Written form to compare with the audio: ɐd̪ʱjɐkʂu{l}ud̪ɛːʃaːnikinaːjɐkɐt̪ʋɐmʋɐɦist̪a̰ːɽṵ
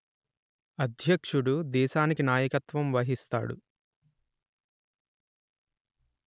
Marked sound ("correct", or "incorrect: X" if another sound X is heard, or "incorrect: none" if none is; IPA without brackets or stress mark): incorrect: ɽ